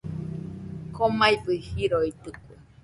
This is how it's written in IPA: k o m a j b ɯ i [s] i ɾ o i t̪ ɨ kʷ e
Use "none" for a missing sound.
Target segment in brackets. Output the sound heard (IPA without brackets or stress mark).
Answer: h